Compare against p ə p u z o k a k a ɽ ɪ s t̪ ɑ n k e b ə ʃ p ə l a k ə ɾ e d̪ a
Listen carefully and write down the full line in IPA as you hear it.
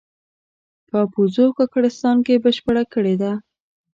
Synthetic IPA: p ə p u z o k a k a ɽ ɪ s t̪ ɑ n k e b ə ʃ p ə ɽ a k ə ɽ e d̪ a